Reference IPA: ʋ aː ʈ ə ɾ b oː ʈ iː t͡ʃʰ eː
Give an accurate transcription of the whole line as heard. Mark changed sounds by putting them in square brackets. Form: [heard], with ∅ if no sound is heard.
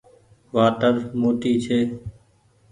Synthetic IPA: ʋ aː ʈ ə ɾ [m] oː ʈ iː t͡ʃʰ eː